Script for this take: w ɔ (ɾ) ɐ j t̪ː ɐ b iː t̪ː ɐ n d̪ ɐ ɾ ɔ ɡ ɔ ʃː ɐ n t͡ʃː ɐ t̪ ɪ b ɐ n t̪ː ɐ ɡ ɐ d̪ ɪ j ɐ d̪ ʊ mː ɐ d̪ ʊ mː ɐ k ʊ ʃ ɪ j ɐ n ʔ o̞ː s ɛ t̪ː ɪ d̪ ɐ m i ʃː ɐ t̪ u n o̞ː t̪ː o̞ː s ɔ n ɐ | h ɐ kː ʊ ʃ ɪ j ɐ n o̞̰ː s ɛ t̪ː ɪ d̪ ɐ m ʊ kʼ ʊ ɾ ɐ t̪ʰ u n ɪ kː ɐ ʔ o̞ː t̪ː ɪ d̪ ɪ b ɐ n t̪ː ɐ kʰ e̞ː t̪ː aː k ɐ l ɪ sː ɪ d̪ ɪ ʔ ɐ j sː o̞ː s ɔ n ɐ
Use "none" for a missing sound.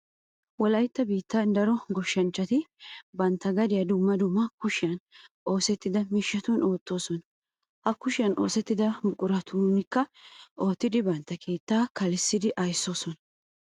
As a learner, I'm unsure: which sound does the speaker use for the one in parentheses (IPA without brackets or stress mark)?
l